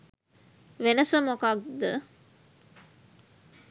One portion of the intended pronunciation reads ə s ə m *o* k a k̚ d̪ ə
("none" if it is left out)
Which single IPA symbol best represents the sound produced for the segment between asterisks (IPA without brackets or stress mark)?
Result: o